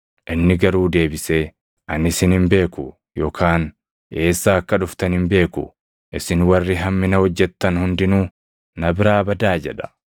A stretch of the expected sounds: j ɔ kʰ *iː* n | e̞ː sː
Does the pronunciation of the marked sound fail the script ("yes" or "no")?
yes